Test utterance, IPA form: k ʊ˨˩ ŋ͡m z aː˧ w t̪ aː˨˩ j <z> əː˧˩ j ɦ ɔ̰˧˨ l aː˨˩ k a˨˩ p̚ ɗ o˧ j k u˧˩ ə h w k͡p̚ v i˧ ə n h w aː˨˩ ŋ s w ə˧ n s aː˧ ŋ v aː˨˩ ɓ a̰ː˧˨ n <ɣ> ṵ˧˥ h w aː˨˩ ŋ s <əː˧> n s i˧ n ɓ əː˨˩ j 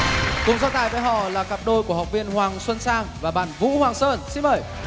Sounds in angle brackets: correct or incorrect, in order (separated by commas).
incorrect, incorrect, correct